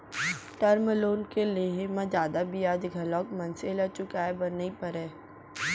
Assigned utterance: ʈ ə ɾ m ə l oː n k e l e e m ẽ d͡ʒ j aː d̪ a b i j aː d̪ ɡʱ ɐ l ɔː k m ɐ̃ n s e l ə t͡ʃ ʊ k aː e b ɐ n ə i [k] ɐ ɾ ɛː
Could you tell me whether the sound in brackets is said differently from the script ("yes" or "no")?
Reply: yes